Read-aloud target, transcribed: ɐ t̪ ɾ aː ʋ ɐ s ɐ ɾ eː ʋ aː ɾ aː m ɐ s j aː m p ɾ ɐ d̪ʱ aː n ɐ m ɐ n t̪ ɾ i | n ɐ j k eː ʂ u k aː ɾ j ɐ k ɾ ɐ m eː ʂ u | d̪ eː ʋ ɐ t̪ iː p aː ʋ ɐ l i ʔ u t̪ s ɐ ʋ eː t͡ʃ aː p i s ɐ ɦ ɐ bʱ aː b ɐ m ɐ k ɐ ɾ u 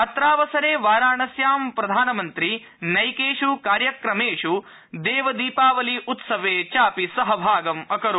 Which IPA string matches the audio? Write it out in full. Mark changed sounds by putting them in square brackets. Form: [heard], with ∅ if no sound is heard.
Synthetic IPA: ɐ t̪ ɾ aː ʋ ɐ s ɐ ɾ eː ʋ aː ɾ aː [ɳ] ɐ s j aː m p ɾ ɐ d̪ʱ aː n ɐ m ɐ n t̪ ɾ i | n ɐ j k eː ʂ u k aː ɾ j ɐ k ɾ ɐ m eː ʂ u | d̪ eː ʋ ɐ [d̪] iː p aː ʋ ɐ l i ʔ u t̪ s ɐ ʋ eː t͡ʃ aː p i s ɐ ɦ ɐ bʱ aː [ɡ] ɐ m ɐ k ɐ ɾ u